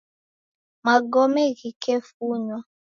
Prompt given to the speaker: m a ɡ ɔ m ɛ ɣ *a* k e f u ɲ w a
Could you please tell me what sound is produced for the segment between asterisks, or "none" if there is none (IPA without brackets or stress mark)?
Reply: i